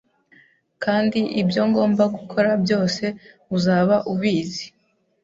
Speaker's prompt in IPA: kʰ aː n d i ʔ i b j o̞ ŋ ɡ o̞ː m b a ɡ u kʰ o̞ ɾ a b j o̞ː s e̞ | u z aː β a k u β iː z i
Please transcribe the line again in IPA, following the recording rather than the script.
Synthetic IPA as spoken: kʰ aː n d i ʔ i b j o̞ ŋ ɡ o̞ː m b a ɡ u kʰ o̞ ɾ a b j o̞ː s e̞ | u z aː β a ʔ u β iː z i